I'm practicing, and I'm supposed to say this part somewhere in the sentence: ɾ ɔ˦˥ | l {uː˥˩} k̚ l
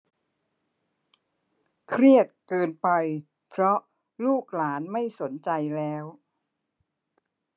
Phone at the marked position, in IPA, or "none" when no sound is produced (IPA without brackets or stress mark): uː˥˩